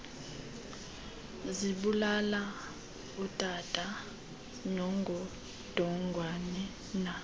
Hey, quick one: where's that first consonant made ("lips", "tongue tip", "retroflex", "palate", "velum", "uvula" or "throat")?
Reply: tongue tip